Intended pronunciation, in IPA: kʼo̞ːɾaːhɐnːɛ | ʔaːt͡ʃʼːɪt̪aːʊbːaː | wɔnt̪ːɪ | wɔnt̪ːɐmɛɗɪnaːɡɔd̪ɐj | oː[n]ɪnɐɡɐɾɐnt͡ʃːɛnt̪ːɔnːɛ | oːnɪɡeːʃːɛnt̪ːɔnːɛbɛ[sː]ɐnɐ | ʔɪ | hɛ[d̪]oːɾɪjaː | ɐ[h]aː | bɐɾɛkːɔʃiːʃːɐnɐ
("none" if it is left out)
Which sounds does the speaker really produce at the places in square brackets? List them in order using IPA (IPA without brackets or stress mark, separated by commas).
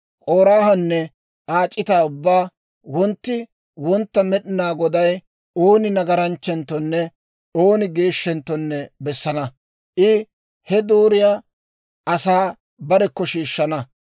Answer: n, sː, d̪, s